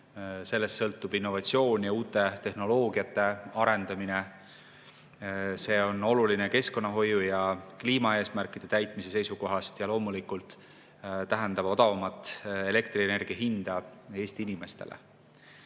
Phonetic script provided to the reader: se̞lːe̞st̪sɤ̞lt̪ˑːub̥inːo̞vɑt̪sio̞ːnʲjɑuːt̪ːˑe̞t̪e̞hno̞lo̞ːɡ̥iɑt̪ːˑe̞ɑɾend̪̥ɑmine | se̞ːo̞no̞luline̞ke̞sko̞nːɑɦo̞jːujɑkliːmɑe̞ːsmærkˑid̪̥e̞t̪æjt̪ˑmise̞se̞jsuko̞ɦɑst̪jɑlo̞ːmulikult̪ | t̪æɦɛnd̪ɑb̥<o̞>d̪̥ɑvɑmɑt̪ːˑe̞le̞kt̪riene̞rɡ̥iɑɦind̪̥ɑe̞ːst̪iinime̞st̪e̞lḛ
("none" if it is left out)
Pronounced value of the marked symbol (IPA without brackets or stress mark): o̞